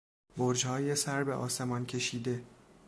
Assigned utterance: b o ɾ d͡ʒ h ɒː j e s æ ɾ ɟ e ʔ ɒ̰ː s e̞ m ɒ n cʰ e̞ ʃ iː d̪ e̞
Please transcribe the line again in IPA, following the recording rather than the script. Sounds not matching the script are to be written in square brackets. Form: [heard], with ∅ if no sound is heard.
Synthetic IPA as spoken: b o ɾ d͡ʒ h ɒː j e s æ ɾ [b] e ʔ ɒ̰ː s e̞ m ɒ n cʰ e̞ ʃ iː d̪ e̞